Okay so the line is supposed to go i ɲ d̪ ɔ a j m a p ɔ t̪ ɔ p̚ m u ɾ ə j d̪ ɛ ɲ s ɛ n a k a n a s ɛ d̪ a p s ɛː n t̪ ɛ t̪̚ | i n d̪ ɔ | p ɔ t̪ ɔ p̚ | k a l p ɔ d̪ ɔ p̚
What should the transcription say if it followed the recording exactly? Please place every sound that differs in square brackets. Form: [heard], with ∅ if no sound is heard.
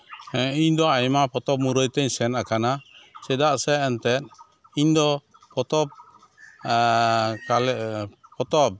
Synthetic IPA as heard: i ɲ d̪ ɔ a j m a p ɔ t̪ ɔ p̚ m u ɾ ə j [t̪] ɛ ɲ s ɛ n a k a n a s ɛ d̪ a [ʔ] s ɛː n t̪ ɛ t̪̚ | i [ɲ] d̪ ɔ | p ɔ t̪ ɔ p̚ | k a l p ɔ [t̪] ɔ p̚